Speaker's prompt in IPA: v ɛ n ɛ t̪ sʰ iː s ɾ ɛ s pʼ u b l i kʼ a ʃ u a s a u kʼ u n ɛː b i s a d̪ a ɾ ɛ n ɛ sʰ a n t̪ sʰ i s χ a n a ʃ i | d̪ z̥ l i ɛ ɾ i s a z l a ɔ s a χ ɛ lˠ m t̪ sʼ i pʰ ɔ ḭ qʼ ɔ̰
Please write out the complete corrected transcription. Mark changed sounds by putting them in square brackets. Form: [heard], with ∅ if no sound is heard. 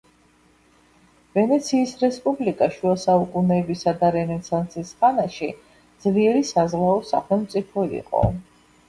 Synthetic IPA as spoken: v ɛ n ɛ t̪ sʰ iː s ɾ ɛ s pʼ u b l i kʼ a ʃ u a s a u kʼ u n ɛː b i s a d̪ a ɾ ɛ n ɛ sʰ a n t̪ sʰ i s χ a n a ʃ i | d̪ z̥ l i ɛ ɾ i s a z l a ɔ s a χ ɛ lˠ m t̪ sʼ i pʰ ɔ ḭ qʼ ɔ̰